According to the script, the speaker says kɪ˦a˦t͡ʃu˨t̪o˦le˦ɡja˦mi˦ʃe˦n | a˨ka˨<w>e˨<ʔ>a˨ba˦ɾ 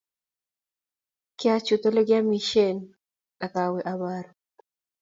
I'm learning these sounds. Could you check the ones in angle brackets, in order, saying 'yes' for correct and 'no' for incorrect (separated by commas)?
yes, yes